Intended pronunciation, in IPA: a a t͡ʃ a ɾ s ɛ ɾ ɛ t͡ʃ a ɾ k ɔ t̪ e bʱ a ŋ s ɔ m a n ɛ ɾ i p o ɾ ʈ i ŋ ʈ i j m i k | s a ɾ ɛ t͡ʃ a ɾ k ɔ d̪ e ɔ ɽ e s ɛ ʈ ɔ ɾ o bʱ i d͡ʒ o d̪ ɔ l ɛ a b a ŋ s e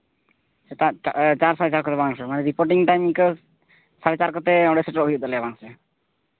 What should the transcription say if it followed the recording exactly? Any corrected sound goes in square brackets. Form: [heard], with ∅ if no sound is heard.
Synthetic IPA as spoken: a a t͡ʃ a ɾ s [a] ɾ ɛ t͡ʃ a ɾ k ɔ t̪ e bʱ a ŋ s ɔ m a n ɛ ɾ i p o ɾ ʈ i ŋ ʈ [a] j m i k | s a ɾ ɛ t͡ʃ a ɾ k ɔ [t̪] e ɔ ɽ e s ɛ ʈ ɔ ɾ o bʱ i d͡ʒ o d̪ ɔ l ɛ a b a ŋ s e

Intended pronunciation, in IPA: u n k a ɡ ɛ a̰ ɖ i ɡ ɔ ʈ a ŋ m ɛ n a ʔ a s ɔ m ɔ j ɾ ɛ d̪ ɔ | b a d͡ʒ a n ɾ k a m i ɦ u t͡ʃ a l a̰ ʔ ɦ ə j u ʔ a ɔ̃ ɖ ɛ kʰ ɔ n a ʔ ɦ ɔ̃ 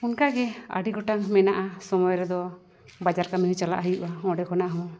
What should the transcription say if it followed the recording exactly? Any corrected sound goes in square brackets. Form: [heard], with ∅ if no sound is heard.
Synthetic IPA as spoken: u n k a ɡ ɛ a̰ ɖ i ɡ ɔ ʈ a ŋ m ɛ n a ʔ a s ɔ m ɔ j ɾ ɛ d̪ ɔ | b a d͡ʒ a [∅] ɾ k a m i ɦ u t͡ʃ a l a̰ ʔ ɦ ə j u ʔ a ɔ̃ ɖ ɛ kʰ ɔ n a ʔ ɦ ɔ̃

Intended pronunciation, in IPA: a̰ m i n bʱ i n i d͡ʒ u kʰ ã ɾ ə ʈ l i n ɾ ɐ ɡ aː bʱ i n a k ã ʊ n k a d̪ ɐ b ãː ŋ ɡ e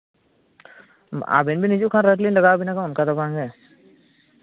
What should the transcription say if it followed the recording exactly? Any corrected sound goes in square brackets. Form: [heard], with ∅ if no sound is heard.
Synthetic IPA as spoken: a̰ [b] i n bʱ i n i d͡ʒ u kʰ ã ɾ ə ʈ l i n [l] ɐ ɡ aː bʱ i n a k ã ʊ n k a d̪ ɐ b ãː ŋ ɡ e

